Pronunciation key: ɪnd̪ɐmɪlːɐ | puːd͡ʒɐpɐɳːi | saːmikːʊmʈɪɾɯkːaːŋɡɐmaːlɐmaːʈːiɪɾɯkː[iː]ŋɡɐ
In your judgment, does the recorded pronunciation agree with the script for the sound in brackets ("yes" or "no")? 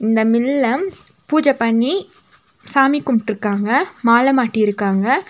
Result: no